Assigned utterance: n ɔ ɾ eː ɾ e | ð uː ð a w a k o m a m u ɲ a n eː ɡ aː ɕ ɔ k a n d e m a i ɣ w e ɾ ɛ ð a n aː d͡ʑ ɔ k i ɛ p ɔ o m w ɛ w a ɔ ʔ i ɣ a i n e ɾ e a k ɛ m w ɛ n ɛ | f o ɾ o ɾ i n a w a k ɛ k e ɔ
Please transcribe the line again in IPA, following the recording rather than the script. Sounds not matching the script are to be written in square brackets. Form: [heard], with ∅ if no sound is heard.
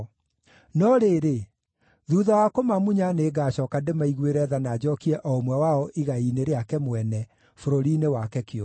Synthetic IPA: n ɔ ɾ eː ɾ e | ð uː ð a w a k o m a m u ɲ a n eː ɡ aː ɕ ɔ k a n d e m a i ɣ w e ɾ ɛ ð a n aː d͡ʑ ɔ k i ɛ [ʔ] ɔ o m w ɛ w a ɔ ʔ i ɣ a i n e ɾ e a k ɛ m w ɛ n ɛ | f o ɾ o ɾ i n [e] w a k ɛ k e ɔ